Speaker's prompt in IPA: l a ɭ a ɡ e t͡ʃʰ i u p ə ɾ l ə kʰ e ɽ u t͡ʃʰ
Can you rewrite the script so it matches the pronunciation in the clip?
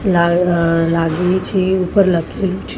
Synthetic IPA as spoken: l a l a ɡ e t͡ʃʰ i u p ə ɾ l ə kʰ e l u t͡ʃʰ